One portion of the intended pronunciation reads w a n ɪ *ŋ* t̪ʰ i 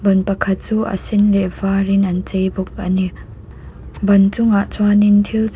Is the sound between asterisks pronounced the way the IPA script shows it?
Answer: no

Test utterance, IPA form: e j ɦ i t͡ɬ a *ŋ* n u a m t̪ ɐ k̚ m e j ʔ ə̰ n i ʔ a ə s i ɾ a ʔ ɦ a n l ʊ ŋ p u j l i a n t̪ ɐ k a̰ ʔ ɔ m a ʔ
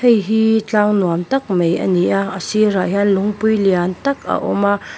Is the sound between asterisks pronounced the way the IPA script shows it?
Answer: yes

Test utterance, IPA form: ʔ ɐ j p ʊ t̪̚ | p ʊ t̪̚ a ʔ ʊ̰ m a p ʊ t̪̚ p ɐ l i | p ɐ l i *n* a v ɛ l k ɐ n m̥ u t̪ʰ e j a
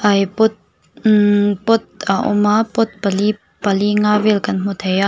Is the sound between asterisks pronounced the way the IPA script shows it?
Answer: no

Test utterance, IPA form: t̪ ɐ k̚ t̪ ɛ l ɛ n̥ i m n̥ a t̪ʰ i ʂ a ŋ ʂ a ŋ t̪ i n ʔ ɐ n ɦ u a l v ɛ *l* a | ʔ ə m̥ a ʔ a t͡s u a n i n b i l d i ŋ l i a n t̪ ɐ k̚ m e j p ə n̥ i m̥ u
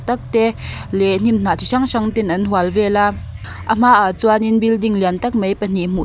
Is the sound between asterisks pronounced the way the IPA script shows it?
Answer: yes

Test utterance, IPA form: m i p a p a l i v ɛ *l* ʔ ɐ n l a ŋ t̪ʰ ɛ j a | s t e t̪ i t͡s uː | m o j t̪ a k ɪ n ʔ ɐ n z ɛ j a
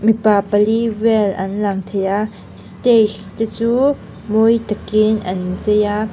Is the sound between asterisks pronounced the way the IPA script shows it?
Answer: yes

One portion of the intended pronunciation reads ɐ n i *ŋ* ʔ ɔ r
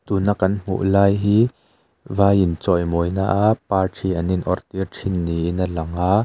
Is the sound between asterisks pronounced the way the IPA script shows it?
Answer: no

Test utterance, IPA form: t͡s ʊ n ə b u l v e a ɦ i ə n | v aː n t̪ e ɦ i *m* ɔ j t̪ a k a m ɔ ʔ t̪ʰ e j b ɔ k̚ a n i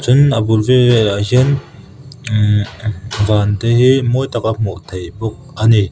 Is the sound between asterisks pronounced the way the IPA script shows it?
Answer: yes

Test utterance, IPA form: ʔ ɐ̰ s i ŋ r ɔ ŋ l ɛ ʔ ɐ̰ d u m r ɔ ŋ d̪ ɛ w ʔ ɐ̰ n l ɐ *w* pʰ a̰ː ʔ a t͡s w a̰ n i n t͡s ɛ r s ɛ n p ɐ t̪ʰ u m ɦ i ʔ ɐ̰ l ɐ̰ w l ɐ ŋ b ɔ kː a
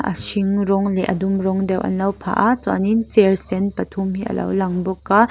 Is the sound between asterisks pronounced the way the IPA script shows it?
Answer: yes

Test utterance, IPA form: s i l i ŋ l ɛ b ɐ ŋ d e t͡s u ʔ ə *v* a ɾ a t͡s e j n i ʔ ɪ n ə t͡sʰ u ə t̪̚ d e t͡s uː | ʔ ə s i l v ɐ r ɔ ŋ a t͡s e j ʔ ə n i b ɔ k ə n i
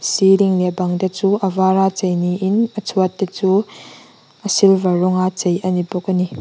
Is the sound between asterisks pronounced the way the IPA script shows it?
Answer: yes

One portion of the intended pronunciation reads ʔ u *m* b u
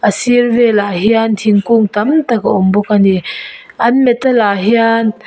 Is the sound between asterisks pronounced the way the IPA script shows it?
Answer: yes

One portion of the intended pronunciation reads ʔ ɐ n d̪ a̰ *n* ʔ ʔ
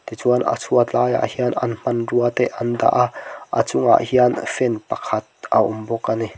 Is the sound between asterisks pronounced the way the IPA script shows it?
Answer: no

